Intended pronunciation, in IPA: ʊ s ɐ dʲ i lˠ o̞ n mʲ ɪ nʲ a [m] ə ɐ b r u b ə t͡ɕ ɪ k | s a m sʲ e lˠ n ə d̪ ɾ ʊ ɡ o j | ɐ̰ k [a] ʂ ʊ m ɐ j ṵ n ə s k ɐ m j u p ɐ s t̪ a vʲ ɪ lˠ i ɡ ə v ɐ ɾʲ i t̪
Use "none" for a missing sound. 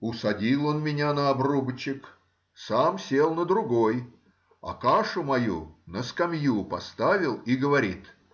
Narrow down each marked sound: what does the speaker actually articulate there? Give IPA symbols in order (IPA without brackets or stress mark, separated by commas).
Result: n, a